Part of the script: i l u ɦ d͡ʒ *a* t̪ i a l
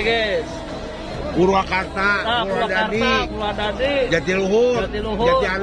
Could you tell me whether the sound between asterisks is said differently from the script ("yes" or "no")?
no